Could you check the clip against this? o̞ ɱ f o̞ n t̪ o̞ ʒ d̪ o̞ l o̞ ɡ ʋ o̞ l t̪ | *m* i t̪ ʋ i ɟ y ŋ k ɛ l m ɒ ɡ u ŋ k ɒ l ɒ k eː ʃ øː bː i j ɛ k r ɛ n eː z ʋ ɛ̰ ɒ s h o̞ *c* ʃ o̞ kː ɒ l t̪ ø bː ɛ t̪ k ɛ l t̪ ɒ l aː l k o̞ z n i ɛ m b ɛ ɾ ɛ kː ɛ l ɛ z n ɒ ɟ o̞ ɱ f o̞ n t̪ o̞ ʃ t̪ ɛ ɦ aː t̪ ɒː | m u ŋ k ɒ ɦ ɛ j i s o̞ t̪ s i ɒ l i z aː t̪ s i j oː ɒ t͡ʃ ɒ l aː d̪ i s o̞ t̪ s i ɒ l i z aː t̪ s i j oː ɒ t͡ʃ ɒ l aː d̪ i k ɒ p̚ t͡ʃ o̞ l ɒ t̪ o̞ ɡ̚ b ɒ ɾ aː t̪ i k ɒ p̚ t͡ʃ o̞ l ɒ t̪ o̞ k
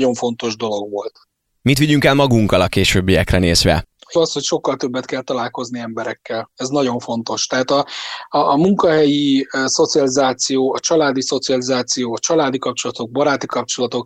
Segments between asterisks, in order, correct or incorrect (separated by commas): correct, correct